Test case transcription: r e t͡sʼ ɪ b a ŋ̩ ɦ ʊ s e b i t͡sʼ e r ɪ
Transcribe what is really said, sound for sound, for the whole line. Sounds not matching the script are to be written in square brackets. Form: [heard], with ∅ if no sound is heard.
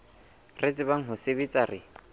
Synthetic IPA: r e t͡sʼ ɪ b a ŋ̩ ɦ ʊ s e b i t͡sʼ [a] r ɪ